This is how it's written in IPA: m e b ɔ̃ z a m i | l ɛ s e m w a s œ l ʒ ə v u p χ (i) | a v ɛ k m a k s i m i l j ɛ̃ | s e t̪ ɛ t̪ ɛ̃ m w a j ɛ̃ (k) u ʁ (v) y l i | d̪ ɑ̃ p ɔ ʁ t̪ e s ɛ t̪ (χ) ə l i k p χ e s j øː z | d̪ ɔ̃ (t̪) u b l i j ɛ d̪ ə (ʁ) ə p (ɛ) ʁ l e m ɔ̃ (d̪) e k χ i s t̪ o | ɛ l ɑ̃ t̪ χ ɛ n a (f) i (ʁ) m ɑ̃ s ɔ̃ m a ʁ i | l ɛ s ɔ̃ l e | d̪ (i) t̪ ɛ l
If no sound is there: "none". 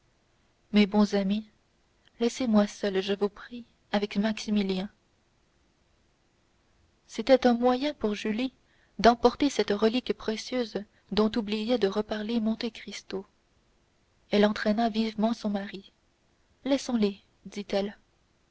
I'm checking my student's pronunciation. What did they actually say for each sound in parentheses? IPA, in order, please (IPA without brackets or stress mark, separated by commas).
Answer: i, p, ʒ, ʁ, t̪, ʁ, a, t̪, v, v, i